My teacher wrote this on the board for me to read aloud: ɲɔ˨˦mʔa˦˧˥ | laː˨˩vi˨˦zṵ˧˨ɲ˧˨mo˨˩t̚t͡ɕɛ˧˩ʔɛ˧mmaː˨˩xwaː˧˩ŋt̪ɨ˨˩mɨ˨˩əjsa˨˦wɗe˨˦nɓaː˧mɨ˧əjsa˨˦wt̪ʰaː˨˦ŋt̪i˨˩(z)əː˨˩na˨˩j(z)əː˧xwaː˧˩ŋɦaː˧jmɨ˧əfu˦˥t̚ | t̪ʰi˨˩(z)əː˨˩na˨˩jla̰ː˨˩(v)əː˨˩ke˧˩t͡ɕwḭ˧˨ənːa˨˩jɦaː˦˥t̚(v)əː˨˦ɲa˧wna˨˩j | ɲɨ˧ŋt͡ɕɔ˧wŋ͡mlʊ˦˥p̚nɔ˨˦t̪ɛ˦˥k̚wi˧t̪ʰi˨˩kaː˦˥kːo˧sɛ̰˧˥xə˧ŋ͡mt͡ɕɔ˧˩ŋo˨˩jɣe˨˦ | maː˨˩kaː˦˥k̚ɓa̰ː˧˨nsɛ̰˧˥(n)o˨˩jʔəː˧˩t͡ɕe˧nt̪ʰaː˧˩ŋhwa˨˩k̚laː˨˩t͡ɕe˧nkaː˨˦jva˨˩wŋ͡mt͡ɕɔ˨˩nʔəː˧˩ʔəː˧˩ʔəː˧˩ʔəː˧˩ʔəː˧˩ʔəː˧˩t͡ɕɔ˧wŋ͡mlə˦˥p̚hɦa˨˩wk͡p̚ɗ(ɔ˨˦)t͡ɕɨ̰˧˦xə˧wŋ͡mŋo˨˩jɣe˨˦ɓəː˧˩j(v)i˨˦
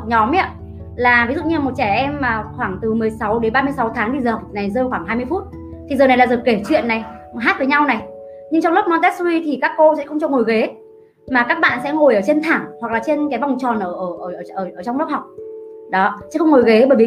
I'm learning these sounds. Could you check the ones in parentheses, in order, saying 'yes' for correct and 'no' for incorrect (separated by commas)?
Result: yes, yes, yes, no, yes, no, yes, yes